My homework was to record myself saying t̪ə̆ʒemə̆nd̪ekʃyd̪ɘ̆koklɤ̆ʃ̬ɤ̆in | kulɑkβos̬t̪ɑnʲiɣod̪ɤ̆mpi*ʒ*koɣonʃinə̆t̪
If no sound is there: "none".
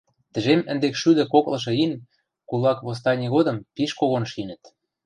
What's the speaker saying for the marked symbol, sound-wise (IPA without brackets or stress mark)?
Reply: ʃ